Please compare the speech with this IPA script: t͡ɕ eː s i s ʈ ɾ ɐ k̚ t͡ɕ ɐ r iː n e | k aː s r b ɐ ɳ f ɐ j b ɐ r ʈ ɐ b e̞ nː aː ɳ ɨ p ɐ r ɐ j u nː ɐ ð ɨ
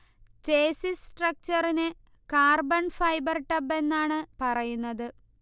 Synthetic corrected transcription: t͡ɕ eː s i s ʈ r ɐ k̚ t͡ɕ ɐ r i n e | k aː r b ɐ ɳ f ɐ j b ɐ r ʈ ɐ b e̞ nː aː ɳ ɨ p ɐ r ɐ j u nː ɐ ð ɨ

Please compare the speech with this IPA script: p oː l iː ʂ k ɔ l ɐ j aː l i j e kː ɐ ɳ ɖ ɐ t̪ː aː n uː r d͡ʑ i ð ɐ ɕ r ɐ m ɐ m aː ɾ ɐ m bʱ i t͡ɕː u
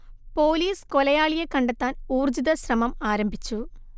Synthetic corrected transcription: p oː l iː s k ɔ l ɐ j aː ɭ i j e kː ɐ ɳ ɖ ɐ t̪ː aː n uː r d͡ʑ i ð ɐ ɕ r ɐ m ɐ m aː ɾ ɐ m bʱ i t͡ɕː u

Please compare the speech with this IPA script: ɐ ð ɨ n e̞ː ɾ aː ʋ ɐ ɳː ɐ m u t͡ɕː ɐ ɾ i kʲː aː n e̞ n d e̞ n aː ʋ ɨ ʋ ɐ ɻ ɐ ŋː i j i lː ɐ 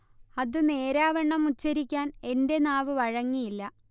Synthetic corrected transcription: ɐ ð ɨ n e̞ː ɾ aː ʋ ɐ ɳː ɐ m u t͡ɕː ɐ ɾ i kʲː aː n e̞ n d e̞ n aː ʋ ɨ ʋ ɐ ɻ ɐ ŋː i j i lː ɐ

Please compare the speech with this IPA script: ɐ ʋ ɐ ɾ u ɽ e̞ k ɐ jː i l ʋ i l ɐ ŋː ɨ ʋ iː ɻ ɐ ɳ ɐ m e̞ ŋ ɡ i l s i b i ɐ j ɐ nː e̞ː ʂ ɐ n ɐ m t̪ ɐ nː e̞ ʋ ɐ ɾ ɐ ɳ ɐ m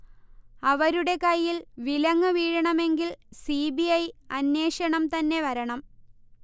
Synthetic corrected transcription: ɐ ʋ ɐ ɾ u ɽ e̞ k ɐ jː i l ʋ i l ɐ ŋː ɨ ʋ iː ɻ ɐ ɳ ɐ m e̞ ŋ ɡ i l s i b i ɐ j ɐ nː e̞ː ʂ ɐ ɳ ɐ m t̪ ɐ nː e̞ ʋ ɐ ɾ ɐ ɳ ɐ m

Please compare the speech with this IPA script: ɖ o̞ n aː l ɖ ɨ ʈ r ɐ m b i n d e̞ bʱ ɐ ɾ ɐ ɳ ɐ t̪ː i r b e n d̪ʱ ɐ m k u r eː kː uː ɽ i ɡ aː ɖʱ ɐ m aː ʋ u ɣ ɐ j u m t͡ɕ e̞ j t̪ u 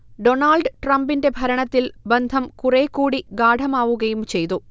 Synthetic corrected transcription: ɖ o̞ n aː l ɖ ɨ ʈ r ɐ m b i n d e̞ bʱ ɐ ɾ ɐ ɳ ɐ t̪ː i l b e n d̪ʱ ɐ m k u r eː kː uː ɽ i ɡ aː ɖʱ ɐ m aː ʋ u ɣ ɐ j u m t͡ɕ e̞ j t̪ u

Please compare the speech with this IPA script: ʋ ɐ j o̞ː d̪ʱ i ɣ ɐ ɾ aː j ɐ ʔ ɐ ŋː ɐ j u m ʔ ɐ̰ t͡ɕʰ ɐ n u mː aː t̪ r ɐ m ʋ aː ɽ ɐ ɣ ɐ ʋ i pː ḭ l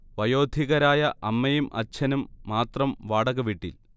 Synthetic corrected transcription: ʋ ɐ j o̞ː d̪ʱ i ɣ ɐ ɾ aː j ɐ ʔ ɐ mː ɐ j u m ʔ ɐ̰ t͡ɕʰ ɐ n u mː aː t̪ r ɐ m ʋ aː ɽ ɐ ɣ ɐ ʋ i ʈː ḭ l

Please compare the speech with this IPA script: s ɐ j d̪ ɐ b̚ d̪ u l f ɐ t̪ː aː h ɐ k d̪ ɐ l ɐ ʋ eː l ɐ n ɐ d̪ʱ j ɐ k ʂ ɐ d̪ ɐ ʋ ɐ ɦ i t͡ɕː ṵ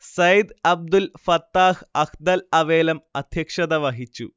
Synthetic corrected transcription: s ɐ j d̪ ɐ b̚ d̪ u l f ɐ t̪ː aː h ɐ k d̪ ɐ l ɐ ʋ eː l ɐ m ɐ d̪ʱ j ɐ k ʂ ɐ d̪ ɐ ʋ ɐ ɦ i t͡ɕː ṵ

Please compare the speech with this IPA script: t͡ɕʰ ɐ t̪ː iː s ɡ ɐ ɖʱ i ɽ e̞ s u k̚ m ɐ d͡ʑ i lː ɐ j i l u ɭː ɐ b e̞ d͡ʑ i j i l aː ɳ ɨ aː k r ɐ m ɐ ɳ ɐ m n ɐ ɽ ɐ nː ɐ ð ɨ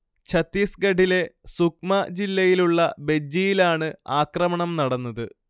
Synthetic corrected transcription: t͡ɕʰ ɐ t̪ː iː s ɡ ɐ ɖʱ i l e̞ s u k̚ m ɐ d͡ʑ i lː ɐ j i l u ɭː ɐ b e̞ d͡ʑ i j i l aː ɳ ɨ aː k r ɐ m ɐ ɳ ɐ m n ɐ ɽ ɐ nː ɐ ð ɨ

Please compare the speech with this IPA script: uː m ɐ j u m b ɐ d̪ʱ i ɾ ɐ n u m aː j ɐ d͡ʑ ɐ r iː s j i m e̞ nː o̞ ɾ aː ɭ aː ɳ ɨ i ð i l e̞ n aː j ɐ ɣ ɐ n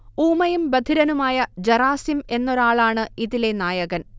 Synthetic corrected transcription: uː m ɐ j u m b ɐ d̪ʱ i ɾ ɐ n u m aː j ɐ d͡ʑ ɐ r aː s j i m e̞ nː o̞ ɾ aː ɭ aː ɳ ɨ i ð i l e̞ n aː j ɐ ɣ ɐ n

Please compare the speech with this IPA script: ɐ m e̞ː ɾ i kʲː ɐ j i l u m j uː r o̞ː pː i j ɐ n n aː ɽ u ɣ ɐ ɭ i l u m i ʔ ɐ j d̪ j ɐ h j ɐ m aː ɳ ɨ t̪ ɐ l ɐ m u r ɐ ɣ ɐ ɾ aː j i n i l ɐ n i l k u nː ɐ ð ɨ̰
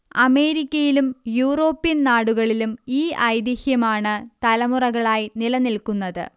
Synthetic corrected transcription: ɐ m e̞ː ɾ i kʲː ɐ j i l u m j uː r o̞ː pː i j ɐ n n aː ɽ u ɣ ɐ ɭ i l u m iː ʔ ɐ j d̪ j ɐ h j ɐ m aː ɳ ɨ t̪ ɐ l ɐ m u r ɐ ɣ ɐ ɭ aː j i n i l ɐ n i l k u nː ɐ ð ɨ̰

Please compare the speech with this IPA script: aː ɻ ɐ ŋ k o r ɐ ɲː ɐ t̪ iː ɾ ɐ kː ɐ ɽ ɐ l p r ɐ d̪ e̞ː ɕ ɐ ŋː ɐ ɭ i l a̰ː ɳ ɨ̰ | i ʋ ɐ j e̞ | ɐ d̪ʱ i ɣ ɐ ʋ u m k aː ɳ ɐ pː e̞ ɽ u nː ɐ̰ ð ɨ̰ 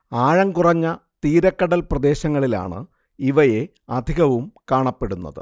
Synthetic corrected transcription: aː ɻ ɐ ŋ k u r ɐ ɲː ɐ t̪ iː ɾ ɐ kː ɐ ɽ ɐ l p r ɐ d̪ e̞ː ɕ ɐ ŋː ɐ ɭ i l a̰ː ɳ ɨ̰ | i ʋ ɐ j e̞ | ɐ d̪ʱ i ɣ ɐ ʋ u m k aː ɳ ɐ pː e̞ ɽ u nː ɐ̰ ð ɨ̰

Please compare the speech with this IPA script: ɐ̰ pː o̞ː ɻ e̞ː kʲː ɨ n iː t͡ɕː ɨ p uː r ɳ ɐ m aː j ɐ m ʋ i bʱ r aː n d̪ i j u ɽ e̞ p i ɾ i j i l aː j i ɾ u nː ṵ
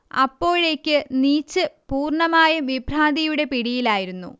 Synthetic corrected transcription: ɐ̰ pː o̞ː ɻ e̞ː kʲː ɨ n iː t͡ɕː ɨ p uː r ɳ ɐ m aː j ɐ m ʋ i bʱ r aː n d̪ i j u ɽ e̞ p i ɽ i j i l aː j i ɾ u nː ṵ

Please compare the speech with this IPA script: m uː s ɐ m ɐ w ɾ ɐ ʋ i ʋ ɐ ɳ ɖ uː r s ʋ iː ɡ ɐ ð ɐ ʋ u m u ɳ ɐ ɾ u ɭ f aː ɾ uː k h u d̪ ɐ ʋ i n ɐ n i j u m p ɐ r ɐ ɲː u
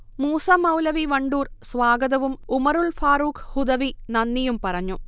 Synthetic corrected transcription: m uː s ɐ m ɐ w l ɐ ʋ i ʋ ɐ ɳ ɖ uː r s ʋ aː ɡ ɐ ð ɐ ʋ u m u m ɐ ɾ u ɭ f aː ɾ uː k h u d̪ ɐ ʋ i n ɐ nː i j u m p ɐ r ɐ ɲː u

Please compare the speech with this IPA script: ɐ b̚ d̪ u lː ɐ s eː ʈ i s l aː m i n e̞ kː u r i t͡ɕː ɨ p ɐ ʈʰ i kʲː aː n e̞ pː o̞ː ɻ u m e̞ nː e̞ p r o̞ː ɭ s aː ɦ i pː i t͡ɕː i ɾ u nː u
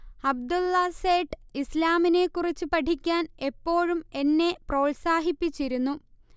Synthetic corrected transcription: ɐ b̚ d̪ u lː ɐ s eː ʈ i s l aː m i n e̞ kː u r i t͡ɕː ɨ p ɐ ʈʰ i kʲː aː n e̞ pː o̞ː ɻ u m e̞ nː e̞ p r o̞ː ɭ s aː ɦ i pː i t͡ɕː i ɾ u nː u

